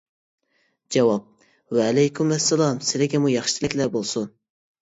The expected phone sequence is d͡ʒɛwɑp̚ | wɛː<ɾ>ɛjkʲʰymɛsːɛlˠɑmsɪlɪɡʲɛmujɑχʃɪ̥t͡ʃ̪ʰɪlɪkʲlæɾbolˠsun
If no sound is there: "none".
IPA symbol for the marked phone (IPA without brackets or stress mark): l